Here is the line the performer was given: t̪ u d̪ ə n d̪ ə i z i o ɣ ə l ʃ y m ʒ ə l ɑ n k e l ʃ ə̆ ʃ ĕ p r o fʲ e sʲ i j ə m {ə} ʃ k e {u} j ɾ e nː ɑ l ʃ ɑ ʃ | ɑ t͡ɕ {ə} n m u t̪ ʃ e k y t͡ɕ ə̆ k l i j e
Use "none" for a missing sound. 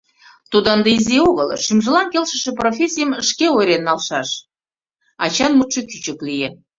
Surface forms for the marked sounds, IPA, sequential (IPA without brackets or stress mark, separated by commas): ə, o, ɑ